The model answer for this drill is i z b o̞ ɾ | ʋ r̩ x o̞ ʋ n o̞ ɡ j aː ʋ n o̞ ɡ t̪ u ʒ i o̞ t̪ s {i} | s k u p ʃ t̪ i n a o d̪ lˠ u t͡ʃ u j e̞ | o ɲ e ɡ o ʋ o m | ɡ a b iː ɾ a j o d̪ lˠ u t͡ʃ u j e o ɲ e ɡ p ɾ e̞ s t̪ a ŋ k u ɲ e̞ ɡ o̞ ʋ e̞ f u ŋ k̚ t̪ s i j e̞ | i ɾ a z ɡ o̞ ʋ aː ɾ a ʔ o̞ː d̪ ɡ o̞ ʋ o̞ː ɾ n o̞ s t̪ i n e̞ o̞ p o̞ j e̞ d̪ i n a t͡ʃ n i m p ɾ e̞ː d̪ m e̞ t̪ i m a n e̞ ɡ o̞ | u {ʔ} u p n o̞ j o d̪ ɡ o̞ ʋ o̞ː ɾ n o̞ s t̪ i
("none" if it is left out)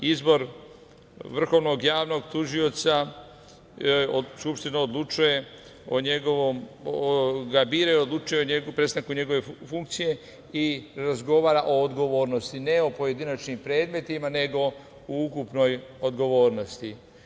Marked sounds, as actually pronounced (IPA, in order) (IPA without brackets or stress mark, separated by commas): a, k